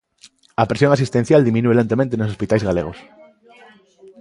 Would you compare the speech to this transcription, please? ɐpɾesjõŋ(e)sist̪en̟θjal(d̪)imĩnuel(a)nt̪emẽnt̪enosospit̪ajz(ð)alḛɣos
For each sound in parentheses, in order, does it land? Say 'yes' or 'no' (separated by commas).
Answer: no, yes, no, no